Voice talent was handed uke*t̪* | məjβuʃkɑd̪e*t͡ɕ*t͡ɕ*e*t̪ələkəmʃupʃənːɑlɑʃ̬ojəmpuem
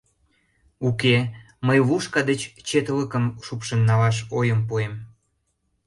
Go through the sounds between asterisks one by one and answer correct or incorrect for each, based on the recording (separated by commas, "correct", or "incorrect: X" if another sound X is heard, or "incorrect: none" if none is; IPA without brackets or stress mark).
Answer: incorrect: none, correct, correct